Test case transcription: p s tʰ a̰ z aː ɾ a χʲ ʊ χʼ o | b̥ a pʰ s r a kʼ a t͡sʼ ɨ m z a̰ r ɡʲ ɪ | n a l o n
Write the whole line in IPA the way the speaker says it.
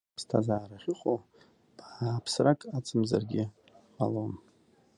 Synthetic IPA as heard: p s tʰ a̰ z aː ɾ a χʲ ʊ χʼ o | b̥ a pʰ s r a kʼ a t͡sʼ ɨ m z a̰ r ɡʲ ɪ | m a l o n